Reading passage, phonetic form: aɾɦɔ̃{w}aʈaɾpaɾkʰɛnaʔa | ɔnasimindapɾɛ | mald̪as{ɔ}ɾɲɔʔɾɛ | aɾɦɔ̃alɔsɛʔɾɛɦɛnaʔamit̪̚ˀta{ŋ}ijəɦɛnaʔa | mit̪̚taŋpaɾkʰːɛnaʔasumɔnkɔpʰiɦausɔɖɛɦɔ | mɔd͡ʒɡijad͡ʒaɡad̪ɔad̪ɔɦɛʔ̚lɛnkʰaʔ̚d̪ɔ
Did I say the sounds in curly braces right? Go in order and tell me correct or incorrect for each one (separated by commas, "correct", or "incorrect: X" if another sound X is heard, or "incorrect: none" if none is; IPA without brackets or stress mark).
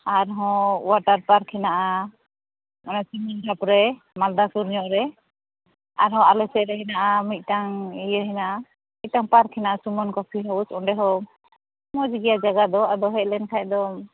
correct, incorrect: u, correct